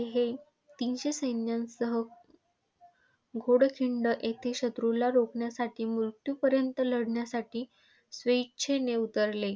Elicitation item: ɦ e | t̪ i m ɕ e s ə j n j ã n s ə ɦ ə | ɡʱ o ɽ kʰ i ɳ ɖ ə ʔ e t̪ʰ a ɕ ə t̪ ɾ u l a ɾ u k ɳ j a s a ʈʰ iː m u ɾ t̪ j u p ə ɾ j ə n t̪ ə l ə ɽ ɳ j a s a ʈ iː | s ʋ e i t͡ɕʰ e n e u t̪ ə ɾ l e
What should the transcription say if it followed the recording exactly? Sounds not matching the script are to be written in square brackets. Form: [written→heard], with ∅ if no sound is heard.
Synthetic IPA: ɦ e | t̪ i [m→n] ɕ e s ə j n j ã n s ə ɦ ə | ɡʱ o ɽ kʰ i ɳ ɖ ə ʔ e t̪ʰ [a→e] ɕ ə t̪ ɾ u l a ɾ [u→o] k ɳ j a s a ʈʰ iː m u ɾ t̪ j u p ə ɾ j ə n t̪ ə l ə ɽ ɳ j a s a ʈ iː | s ʋ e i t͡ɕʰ e n e u t̪ ə ɾ l e

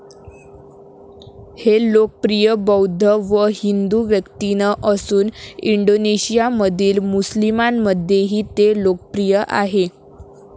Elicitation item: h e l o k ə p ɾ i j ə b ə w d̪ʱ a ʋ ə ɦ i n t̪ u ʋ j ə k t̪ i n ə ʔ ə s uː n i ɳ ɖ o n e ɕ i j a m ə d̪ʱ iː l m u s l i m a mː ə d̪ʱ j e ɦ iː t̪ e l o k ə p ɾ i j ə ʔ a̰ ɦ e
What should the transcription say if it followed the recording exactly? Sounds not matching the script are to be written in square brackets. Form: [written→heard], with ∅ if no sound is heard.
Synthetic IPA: h e l o k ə p ɾ i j ə b ə w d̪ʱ [a→ə] ʋ ə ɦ i n [t̪→d̪] u ʋ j ə k t̪ i n ə ʔ ə s uː n i ɳ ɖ o n e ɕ i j a m ə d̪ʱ iː l m u s l i m a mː ə d̪ʱ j e ɦ iː t̪ e l o k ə p ɾ i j ə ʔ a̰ ɦ e

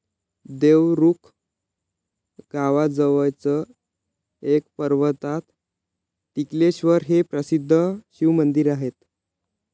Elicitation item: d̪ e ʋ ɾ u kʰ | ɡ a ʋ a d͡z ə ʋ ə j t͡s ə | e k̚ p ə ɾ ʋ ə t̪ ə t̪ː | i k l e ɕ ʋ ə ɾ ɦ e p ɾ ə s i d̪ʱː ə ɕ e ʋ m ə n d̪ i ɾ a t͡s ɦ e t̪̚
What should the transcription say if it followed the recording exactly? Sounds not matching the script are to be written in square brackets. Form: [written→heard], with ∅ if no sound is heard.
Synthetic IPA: d̪ e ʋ ɾ u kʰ | ɡ a ʋ a d͡z ə ʋ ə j t͡s ə | e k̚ p ə ɾ ʋ ə t̪ [ə→a] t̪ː | i k l e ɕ ʋ ə ɾ ɦ e p ɾ ə s i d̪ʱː ə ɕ [e→i] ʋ m ə n d̪ i ɾ a [t͡s→∅] ɦ e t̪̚

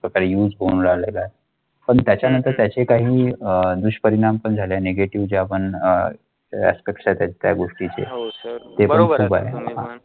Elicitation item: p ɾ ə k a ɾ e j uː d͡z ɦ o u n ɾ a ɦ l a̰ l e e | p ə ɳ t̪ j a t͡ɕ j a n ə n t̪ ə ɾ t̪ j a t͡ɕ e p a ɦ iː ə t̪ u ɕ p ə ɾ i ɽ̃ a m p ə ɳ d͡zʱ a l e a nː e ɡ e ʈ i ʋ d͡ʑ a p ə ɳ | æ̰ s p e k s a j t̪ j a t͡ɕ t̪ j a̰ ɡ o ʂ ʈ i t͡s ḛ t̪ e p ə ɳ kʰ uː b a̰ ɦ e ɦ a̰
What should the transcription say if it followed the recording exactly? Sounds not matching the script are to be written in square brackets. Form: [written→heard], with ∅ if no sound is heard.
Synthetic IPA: p ɾ ə k a ɾ e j uː d͡z ɦ o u n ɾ a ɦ l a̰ l [e→a] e | p ə ɳ t̪ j a t͡ɕ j a n ə n t̪ ə ɾ t̪ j a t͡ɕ e [p→k] a ɦ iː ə [t̪→d̪] u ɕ p ə ɾ i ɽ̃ a m p ə ɳ d͡zʱ a l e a [nː→n] e ɡ e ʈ i ʋ d͡ʑ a p ə ɳ | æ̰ s p e k s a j t̪ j a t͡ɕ t̪ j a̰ ɡ o ʂ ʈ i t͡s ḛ t̪ e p ə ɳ kʰ uː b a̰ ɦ e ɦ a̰

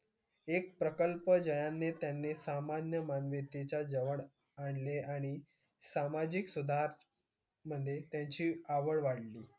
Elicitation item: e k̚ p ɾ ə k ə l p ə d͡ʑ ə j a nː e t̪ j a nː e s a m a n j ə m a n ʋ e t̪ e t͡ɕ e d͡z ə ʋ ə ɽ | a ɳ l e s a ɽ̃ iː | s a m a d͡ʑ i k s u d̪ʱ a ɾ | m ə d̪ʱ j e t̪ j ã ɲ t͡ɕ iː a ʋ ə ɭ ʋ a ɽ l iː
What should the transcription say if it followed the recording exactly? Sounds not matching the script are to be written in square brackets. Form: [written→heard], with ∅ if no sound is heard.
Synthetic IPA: e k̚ p ɾ ə k ə l p ə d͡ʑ ə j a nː e t̪ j a nː e s a m a n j ə m a n ʋ e t̪ e t͡ɕ [e→a] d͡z ə ʋ ə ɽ | a ɳ l e [s→∅] a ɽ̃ [iː→i] | s a m a d͡ʑ i k s u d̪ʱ a ɾ | m ə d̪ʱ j e t̪ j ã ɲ t͡ɕ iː a ʋ ə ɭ ʋ a ɽ l iː

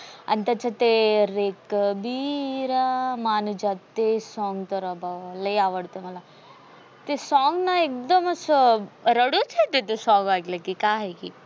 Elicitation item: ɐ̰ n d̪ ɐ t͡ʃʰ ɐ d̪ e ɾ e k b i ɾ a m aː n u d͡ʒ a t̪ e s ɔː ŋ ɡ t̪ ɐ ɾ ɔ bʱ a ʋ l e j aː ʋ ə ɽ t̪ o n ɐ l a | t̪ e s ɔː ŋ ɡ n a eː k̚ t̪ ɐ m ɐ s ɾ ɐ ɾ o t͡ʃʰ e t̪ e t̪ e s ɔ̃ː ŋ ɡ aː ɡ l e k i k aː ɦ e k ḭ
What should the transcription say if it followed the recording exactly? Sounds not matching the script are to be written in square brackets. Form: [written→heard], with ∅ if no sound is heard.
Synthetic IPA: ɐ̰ n [d̪→t̪] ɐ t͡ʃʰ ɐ [d̪→t̪] e ɾ e k b i ɾ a m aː n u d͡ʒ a t̪ e s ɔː ŋ ɡ t̪ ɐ ɾ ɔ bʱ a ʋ l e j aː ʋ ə ɽ t̪ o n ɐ l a | t̪ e s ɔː ŋ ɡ n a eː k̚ [t̪→d̪] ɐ m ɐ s ɾ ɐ [ɾ→ɽ] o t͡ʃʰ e t̪ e t̪ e s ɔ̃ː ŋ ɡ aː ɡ l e k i k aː ɦ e k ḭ

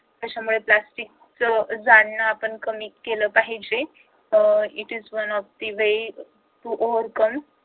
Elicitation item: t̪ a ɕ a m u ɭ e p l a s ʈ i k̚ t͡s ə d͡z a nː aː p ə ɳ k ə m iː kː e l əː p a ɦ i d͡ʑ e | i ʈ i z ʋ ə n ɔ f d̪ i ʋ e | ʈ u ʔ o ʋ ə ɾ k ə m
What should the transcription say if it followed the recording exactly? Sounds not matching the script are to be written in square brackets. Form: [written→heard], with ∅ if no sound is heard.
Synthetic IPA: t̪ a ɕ a m u ɭ e p l a s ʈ i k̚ t͡s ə d͡z a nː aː p ə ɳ k ə m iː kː e l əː p a ɦ i d͡ʑ e | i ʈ i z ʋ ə n ɔ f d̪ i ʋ e | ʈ u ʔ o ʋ ə ɾ k ə m

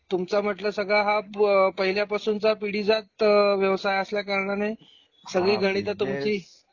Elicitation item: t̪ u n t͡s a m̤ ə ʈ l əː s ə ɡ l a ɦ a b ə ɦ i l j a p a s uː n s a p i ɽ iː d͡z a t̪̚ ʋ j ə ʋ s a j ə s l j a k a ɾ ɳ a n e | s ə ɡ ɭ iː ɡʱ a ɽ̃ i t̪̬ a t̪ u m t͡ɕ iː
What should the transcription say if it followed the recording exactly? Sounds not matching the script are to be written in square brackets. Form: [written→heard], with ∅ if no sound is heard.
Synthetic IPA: t̪ u [n→m] t͡s a m̤ ə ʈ l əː s ə ɡ [l→ɭ] a ɦ a [b→p] ə ɦ i l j a p a s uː n [s→t͡s] a p i ɽ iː d͡z a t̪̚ ʋ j ə ʋ s a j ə s l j a k a ɾ ɳ a n e | s ə ɡ ɭ iː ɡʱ [a→ə] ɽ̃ i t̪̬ a t̪ u m t͡ɕ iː

